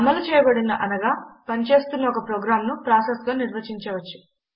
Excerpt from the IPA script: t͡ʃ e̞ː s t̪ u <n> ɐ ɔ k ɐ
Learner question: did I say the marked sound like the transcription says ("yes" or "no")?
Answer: no